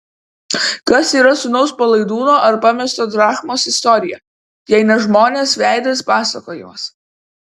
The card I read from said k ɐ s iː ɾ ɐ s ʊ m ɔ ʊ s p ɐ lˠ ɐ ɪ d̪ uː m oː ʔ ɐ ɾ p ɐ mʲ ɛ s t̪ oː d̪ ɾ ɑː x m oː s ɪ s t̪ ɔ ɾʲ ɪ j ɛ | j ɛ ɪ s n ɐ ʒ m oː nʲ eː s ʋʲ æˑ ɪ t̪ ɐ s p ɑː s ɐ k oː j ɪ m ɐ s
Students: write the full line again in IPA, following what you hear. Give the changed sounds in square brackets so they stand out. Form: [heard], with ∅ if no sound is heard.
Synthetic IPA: k ɐ s iː ɾ ɐ s ʊ [n] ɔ ʊ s p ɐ lˠ ɐ ɪ d̪ uː [n] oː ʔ ɐ ɾ p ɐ mʲ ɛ s t̪ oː d̪ ɾ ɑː x m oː s ɪ s t̪ ɔ ɾʲ ɪ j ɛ | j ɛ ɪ [∅] n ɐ ʒ m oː nʲ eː s ʋʲ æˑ ɪ [d̪] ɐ s p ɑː s ɐ k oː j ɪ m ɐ s